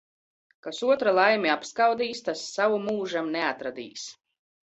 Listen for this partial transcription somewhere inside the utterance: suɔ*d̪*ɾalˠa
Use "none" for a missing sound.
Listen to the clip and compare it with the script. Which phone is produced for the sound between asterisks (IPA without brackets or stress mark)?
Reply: t̪